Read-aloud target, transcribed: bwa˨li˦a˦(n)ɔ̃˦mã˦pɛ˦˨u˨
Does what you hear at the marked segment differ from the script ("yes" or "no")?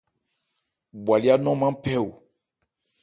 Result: no